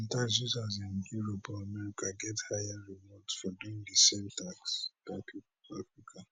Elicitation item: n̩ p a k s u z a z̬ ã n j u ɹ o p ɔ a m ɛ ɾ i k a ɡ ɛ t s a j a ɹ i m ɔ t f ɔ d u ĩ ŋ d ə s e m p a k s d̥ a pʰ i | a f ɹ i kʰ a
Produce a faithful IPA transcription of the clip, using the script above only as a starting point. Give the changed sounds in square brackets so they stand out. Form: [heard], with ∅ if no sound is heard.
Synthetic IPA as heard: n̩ [t] a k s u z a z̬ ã n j u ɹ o p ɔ a m ɛ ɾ i k a ɡ ɛ t [h] a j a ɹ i m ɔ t f ɔ d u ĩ ŋ d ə s e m [t] a k s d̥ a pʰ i | a f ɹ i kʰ a